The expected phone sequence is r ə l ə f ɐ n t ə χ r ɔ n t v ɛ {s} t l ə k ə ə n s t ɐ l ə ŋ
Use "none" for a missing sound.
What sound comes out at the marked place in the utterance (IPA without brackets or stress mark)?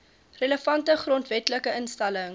none